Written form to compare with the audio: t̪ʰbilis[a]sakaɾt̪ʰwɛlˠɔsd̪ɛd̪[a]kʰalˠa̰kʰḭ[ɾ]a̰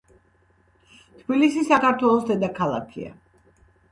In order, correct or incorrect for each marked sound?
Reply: incorrect: i, correct, incorrect: none

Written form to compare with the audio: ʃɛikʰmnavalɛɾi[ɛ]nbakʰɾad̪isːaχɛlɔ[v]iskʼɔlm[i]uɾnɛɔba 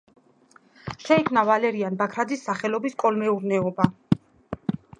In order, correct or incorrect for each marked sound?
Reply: incorrect: a, incorrect: b, incorrect: ɛ

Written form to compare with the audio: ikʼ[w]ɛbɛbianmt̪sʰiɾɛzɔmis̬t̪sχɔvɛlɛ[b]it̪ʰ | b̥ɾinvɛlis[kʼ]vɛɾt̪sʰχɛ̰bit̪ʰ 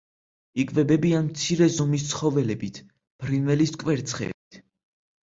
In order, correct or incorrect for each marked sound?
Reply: incorrect: v, correct, correct

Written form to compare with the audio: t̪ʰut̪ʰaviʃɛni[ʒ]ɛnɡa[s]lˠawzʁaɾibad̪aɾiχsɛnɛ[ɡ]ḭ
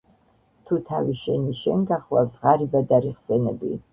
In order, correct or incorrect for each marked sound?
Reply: incorrect: ʃ, incorrect: χ, incorrect: b

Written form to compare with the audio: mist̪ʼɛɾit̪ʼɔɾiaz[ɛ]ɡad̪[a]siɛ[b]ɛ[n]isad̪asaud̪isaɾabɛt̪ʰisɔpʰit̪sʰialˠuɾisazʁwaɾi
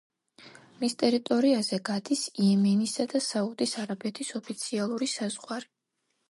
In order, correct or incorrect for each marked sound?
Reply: correct, incorrect: i, incorrect: m, correct

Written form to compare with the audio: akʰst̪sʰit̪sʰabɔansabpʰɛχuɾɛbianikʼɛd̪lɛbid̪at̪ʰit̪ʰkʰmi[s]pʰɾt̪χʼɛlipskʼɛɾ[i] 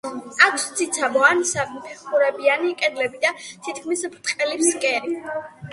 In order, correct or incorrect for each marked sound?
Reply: correct, correct

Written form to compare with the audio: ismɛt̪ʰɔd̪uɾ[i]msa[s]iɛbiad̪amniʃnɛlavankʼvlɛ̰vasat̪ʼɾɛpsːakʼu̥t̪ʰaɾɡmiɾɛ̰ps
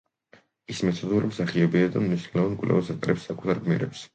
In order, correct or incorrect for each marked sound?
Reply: correct, incorrect: χ

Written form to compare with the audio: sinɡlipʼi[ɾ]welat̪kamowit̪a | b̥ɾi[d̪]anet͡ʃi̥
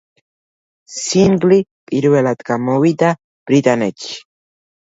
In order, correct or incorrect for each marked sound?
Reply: correct, incorrect: t̪

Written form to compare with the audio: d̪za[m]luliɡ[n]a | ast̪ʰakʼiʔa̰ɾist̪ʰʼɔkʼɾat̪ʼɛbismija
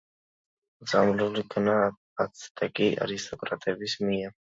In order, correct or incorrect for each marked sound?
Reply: correct, correct

